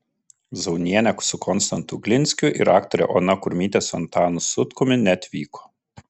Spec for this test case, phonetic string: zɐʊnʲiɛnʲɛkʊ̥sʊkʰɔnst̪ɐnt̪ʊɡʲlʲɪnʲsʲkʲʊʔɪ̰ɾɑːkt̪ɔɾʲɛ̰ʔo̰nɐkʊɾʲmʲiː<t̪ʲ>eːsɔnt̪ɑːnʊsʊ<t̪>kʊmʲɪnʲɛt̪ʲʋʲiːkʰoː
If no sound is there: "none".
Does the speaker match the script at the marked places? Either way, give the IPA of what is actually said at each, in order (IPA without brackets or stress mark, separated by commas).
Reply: t̪ʲ, t̪